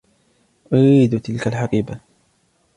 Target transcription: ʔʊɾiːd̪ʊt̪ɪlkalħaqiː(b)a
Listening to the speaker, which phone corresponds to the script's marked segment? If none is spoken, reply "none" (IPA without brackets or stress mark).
b